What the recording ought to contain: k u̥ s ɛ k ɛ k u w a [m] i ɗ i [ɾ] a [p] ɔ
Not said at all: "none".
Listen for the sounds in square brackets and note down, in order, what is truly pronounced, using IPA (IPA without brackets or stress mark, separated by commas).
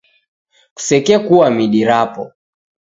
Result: m, ɾ, p